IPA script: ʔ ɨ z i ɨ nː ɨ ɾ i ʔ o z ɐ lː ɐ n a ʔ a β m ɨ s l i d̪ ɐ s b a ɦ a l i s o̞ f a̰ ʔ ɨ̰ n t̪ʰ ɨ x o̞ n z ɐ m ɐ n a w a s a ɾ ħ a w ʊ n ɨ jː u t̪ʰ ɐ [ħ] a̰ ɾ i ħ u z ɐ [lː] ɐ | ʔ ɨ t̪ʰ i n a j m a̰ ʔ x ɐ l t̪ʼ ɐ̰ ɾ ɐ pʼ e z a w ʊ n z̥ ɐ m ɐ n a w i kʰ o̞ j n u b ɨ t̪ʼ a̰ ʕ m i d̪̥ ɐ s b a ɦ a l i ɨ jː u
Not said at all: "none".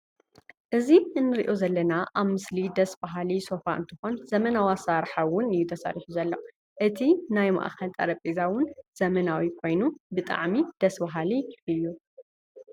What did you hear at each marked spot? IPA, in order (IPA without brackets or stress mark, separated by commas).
s, lː